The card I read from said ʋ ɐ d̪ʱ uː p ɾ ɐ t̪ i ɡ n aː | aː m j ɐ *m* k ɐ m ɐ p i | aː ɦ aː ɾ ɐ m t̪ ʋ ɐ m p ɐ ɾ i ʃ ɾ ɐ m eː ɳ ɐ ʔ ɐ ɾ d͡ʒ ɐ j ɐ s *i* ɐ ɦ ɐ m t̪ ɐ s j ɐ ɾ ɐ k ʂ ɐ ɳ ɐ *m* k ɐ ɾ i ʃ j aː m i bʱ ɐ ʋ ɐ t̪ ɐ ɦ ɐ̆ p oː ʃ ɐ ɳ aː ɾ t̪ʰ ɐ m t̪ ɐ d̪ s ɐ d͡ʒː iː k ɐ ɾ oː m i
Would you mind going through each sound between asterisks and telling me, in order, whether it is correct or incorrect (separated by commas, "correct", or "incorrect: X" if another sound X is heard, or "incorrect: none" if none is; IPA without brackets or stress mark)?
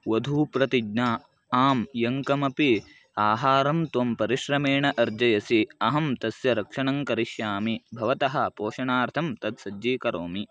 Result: incorrect: ŋ, correct, incorrect: ŋ